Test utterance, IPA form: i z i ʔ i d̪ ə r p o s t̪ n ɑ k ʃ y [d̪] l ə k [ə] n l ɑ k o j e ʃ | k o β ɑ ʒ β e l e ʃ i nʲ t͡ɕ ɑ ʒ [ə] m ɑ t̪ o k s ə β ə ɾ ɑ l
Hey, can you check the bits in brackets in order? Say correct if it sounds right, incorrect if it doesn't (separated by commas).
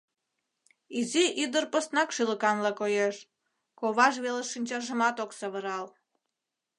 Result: incorrect, incorrect, correct